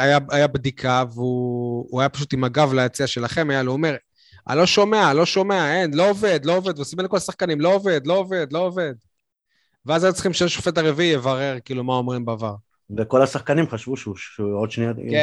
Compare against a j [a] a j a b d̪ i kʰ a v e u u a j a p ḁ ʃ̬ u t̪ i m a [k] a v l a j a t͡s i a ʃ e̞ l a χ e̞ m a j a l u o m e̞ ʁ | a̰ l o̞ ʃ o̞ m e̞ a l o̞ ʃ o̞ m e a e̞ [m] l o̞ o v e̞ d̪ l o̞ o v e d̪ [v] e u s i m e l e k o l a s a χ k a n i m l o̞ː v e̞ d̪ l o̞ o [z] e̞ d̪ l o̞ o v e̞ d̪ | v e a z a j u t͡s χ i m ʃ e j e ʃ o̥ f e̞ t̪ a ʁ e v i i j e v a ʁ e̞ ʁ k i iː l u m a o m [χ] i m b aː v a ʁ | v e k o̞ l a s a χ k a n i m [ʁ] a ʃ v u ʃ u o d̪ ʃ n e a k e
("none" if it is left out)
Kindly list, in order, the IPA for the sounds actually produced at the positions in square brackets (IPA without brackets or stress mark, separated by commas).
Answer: a, ɡ, n, v, v, ʁ, χ